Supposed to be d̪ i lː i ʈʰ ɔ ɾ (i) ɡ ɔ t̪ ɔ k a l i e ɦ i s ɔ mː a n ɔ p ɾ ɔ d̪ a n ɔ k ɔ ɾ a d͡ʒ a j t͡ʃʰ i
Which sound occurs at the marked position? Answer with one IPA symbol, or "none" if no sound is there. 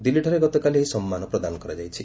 e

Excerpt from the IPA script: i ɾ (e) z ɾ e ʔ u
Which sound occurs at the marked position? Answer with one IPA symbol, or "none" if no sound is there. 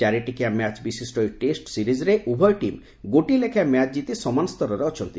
i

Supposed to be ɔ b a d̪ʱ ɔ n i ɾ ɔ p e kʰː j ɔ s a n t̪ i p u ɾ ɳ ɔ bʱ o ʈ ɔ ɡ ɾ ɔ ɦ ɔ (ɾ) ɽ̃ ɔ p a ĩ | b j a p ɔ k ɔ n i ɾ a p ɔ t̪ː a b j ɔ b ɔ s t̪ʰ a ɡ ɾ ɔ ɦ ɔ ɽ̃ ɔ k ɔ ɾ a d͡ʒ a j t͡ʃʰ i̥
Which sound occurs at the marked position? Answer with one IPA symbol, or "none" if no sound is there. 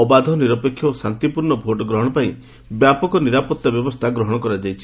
none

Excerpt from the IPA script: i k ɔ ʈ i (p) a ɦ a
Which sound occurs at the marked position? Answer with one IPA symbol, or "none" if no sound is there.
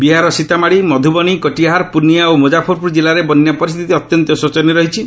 none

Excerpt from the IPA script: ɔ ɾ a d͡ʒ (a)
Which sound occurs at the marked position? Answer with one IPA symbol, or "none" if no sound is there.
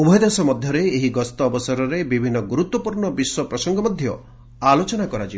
i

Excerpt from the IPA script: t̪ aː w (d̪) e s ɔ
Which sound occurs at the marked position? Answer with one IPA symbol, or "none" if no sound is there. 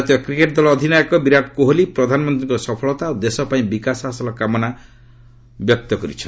d̪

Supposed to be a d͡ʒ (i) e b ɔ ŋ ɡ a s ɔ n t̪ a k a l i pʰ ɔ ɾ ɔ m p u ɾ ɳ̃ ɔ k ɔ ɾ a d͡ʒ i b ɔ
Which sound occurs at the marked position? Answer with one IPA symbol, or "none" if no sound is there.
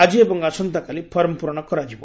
i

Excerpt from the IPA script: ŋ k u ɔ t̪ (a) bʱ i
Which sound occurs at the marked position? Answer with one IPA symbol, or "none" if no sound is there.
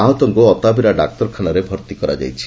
a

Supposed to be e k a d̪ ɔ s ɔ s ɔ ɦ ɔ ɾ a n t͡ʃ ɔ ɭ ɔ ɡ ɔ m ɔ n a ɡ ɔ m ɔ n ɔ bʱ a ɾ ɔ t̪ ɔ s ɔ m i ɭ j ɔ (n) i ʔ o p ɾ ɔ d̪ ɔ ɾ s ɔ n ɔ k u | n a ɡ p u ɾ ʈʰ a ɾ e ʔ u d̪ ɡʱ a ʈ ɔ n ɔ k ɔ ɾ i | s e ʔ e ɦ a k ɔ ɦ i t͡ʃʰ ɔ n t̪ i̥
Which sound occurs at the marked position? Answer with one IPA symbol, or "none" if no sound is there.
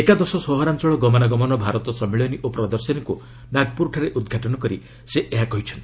n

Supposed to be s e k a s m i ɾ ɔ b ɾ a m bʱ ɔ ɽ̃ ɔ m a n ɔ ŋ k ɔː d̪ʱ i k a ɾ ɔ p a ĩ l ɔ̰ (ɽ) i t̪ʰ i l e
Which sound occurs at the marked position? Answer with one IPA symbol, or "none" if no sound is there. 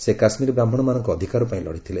ɽ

